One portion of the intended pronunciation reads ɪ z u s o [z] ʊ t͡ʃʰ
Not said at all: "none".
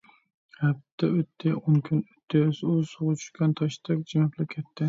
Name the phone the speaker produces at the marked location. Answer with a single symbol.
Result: ʁ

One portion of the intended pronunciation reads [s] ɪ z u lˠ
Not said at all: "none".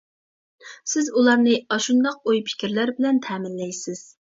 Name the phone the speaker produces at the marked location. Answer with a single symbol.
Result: s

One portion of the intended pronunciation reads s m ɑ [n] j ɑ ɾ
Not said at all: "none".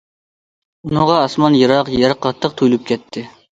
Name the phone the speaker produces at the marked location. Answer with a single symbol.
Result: n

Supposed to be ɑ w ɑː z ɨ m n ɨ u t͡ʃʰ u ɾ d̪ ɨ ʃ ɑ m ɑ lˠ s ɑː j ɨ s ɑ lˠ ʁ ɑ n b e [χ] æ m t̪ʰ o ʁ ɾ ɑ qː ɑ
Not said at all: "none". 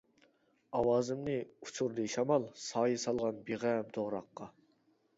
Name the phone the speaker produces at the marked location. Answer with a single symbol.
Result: ʁ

